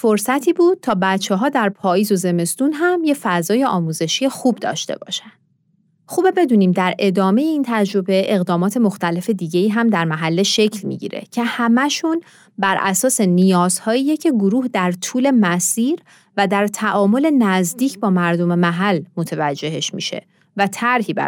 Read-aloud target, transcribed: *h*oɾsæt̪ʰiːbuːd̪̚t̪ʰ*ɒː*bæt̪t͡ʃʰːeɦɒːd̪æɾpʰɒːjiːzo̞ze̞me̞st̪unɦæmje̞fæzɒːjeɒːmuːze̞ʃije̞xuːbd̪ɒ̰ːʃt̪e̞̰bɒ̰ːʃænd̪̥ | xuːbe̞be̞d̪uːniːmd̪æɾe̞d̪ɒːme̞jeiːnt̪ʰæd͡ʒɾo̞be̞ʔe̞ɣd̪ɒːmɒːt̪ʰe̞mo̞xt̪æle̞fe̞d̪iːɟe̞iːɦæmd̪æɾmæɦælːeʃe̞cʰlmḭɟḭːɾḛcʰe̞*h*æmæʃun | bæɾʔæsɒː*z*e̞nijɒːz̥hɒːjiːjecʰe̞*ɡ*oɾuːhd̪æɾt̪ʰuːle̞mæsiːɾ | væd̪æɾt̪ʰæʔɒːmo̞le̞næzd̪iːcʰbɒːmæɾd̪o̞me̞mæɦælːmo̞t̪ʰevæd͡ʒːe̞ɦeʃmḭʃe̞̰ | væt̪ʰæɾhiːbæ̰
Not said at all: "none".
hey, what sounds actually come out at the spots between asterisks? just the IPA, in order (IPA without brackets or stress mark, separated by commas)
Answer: f, ɒː, h, s, ɡ